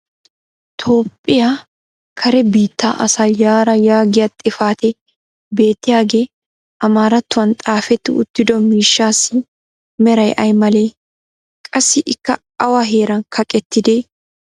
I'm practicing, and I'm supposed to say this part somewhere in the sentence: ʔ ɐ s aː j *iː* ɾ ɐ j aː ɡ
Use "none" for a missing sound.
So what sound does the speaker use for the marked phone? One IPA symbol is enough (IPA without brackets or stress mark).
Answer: aː